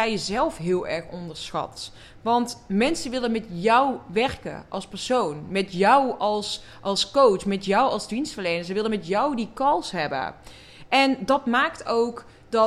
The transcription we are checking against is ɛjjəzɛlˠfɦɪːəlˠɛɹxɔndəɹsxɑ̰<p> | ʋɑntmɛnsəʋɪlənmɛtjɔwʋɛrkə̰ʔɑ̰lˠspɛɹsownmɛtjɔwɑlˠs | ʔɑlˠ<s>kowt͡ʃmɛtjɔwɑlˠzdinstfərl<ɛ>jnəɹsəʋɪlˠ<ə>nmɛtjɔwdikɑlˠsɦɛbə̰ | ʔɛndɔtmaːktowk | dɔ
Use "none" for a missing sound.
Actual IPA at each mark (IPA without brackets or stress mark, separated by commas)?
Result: t, s, e, ə